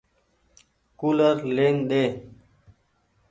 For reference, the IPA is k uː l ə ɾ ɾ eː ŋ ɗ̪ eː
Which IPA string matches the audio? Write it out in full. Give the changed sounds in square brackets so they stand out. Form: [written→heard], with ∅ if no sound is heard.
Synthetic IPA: k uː l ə ɾ [ɾ→l] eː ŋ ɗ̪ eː